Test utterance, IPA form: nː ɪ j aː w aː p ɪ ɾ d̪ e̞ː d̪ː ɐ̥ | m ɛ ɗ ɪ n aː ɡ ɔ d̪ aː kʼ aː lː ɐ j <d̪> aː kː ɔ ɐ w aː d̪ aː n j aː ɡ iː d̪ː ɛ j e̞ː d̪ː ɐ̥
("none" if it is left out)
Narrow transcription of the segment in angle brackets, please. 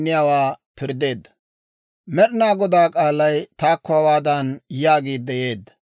t̪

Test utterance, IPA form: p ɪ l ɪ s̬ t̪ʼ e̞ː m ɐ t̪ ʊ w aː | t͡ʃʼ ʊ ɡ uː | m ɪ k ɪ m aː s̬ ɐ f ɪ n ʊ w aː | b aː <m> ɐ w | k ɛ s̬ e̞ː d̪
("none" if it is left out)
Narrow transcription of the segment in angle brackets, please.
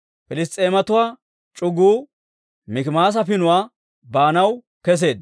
n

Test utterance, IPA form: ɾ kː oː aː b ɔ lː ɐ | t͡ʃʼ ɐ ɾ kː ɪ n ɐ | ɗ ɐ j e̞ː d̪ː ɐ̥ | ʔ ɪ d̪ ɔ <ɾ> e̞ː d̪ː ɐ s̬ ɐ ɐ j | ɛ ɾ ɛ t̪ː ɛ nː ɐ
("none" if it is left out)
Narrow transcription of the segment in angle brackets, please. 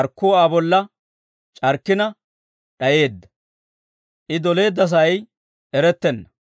l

